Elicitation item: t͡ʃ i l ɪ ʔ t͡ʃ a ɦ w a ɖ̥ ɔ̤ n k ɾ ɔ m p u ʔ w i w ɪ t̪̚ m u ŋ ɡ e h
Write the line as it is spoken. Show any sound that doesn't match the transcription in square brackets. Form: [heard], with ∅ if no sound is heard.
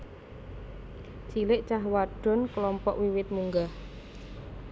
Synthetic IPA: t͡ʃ i l ɪ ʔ t͡ʃ a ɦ w a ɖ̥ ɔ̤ n k [l] ɔ m p [ɔ] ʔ w i w ɪ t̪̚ m u ŋ ɡ [a] h